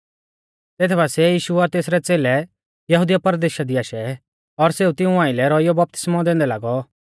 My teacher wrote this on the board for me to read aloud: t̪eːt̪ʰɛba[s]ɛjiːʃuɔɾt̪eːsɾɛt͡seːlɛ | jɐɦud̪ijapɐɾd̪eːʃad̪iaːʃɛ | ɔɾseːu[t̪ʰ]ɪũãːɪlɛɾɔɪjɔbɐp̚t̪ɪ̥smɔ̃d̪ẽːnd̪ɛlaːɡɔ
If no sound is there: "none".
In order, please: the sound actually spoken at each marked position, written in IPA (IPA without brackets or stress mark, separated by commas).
s, t̪